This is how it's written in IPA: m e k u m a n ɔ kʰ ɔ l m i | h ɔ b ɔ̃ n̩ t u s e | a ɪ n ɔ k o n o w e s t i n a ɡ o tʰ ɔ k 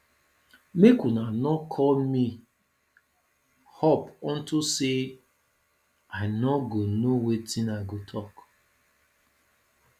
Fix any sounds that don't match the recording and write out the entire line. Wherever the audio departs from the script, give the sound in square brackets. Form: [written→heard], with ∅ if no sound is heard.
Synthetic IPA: m e k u [m→n] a n ɔ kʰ ɔ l m i | h ɔ [b→p] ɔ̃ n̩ t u s e | a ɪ n ɔ [k→ɡ] o n o w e [s→∅] t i n a ɡ o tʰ ɔ k